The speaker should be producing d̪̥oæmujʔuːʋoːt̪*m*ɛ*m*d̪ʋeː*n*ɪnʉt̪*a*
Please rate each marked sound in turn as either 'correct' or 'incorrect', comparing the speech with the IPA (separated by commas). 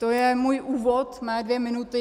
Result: correct, incorrect, incorrect, incorrect